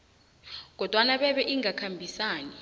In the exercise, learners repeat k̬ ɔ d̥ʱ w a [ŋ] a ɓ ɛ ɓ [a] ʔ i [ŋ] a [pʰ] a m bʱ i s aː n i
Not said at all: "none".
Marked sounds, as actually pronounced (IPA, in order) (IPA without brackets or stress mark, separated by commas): n, ɛ, ŋ, kʰ